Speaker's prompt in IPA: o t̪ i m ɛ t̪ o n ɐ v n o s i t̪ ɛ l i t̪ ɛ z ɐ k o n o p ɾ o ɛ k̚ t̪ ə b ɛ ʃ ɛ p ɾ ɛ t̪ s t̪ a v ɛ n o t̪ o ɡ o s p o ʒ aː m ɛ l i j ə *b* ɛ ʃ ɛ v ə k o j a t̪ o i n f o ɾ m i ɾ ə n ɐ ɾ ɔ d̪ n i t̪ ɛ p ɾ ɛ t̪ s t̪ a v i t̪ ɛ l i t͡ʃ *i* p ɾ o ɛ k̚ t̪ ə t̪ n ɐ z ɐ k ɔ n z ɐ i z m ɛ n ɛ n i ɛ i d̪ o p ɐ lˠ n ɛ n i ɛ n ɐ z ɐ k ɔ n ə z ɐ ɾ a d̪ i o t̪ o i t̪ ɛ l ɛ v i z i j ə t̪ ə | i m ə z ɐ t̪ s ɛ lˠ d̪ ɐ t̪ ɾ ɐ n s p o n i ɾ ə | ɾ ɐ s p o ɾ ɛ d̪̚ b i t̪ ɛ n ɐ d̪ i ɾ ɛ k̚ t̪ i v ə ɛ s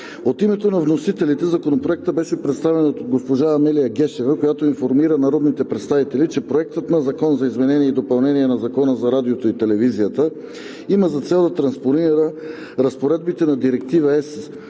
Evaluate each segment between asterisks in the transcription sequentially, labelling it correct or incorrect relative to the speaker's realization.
incorrect: ɡ, incorrect: ɛ

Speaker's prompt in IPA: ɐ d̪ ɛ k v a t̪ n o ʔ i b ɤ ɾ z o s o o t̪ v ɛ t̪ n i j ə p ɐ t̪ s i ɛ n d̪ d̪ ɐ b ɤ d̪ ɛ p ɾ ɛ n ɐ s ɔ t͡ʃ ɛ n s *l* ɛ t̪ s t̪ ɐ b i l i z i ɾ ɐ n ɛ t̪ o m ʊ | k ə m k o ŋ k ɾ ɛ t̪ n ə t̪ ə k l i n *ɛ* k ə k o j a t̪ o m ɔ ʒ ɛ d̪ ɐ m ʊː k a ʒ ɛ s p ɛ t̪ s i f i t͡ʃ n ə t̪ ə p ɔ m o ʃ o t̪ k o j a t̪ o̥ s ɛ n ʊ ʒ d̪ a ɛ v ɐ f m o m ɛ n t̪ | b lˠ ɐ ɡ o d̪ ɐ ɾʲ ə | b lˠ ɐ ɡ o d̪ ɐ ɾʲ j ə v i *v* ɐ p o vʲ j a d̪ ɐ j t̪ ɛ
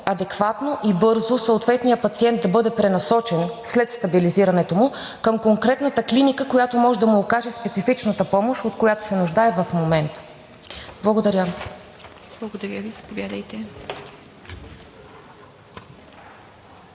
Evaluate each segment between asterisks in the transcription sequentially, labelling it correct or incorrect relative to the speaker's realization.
correct, incorrect: i, incorrect: z

